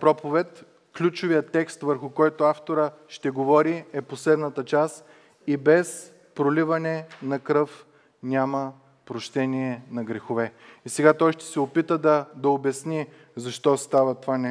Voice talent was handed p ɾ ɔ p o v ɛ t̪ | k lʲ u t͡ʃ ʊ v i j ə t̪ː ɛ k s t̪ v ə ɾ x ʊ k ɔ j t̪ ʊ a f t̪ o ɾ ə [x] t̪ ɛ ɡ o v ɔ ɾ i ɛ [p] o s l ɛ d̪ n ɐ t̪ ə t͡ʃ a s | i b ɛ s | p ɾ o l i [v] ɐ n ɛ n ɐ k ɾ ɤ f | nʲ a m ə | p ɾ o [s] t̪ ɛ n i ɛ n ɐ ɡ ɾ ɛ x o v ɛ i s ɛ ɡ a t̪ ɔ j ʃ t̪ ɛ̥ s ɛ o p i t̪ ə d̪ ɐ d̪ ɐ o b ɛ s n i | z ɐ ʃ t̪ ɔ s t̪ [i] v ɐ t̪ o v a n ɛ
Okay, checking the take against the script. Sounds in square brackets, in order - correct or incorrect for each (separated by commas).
incorrect, correct, correct, incorrect, incorrect